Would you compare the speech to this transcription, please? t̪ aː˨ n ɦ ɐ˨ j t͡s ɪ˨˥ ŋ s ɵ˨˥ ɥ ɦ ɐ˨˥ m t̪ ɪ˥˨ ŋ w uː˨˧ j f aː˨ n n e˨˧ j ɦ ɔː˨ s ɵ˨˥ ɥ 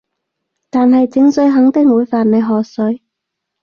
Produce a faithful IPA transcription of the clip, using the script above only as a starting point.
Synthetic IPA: t̪ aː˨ n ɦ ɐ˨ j t͡s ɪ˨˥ ŋ s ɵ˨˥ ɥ ɦ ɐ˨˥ ŋ t̪ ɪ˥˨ ŋ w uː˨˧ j f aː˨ n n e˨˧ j ɦ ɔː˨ s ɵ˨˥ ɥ

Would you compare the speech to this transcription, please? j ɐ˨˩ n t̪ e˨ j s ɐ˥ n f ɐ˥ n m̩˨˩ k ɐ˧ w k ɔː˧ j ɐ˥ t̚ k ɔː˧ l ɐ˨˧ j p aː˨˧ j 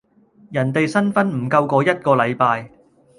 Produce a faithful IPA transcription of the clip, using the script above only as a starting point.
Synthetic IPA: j ɐ˨˩ n t̪ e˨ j s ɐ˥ n f ɐ˥ n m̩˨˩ k ɐ˧ w k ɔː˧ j ɐ˥ t̚ k ɔː˧ l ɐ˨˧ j p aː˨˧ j

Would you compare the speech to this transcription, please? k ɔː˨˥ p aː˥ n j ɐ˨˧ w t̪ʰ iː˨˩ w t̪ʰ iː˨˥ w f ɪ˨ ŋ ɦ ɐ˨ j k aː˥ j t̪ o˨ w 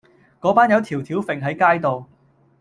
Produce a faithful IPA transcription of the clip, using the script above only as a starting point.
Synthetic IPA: k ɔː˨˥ p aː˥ n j ɐ˨˧ w t̪ʰ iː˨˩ w t̪ʰ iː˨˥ w f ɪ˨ ŋ ɦ ɐ˨˥ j k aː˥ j t̪ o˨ w

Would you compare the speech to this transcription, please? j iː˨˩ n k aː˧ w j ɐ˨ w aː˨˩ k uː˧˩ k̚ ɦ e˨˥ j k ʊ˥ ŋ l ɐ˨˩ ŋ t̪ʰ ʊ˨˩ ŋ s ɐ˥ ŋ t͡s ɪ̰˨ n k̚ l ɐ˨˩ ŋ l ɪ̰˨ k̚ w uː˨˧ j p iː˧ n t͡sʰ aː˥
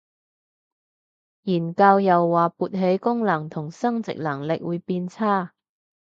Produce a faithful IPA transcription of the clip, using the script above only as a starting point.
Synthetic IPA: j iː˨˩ n k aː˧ w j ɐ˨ wː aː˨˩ p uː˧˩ t̚ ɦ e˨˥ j k ʊ˥ ŋ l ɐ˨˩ ŋ t̪ʰ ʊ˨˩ ŋ s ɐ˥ ŋ t͡s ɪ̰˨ k̚ l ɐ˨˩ ŋ l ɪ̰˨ k̚ w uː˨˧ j p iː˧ n t͡sʰ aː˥

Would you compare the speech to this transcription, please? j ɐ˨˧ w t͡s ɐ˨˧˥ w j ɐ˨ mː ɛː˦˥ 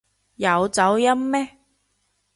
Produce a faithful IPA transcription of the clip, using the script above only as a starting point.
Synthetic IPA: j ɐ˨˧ w t͡s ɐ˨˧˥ w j ɐ˥ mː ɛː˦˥

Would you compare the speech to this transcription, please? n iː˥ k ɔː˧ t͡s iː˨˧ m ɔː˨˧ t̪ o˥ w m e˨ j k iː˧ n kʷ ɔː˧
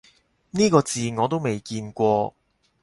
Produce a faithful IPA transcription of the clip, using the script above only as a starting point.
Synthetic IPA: n iː˥ k ɔː˧ t͡s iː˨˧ ŋ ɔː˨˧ t̪ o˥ w m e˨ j k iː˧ n kʷ ɔː˧

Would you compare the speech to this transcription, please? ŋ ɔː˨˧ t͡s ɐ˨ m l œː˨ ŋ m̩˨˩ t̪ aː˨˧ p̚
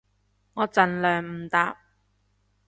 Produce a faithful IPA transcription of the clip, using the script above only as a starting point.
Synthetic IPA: ŋ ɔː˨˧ t͡s ɐ˨ n l œː˨ ŋ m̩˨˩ t̪ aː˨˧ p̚

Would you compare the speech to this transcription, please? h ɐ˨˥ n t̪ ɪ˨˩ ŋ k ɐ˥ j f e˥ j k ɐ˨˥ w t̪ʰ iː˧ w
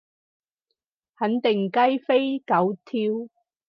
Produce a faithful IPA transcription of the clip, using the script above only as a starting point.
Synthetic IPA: h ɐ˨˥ n t̪ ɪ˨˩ ŋ k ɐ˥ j f e˥ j k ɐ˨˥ w t̪ʰ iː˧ w

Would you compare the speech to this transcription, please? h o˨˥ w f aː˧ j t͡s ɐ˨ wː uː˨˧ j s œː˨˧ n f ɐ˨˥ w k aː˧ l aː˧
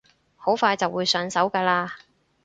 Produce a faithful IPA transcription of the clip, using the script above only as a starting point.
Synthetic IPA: h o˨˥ w f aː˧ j t͡s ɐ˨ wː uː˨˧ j s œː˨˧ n s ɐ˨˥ w k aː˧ l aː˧

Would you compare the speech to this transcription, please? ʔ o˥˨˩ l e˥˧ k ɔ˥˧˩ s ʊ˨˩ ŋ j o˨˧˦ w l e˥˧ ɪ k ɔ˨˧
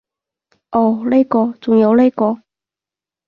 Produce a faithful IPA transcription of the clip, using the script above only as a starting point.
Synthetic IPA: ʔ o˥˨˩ l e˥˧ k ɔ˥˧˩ t͡s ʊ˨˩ ŋ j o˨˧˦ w l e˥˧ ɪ k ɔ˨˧

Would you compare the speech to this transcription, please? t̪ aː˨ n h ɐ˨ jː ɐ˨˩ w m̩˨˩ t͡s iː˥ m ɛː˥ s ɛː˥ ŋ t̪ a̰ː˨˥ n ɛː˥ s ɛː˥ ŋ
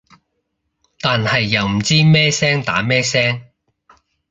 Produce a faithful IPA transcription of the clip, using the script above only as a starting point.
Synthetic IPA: t̪ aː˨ n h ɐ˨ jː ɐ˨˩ w m̩˨˩ t͡s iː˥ m ɛː˥ s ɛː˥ ŋ t̪ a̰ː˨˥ m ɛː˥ s ɛː˥ ŋ

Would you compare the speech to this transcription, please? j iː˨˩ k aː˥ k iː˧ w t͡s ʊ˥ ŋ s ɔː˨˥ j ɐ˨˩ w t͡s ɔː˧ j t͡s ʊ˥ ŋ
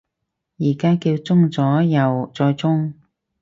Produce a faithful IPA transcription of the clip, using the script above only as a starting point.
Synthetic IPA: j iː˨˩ k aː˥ k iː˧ w t͡s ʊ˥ ŋ t͡s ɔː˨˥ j ɐ˨˩ w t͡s ɔː˧ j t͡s ʊ˥ ŋ

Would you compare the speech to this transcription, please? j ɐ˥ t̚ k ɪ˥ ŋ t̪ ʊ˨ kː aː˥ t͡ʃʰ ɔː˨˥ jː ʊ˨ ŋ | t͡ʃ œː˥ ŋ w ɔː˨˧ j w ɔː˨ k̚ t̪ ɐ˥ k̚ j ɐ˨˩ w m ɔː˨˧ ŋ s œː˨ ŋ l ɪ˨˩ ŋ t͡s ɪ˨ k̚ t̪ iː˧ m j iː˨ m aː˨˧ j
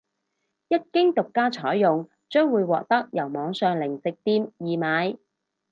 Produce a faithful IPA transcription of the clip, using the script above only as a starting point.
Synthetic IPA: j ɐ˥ t̚ k ɪ˥ ŋ t̪ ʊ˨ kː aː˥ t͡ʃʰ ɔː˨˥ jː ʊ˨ ŋ | t͡ʃ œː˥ ŋ w uː˨˧ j w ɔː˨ k̚ t̪ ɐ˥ k̚ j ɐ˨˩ w m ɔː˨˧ ŋ s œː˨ ŋ l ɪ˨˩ ŋ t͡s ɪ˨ k̚ t̪ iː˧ m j iː˨ m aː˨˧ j

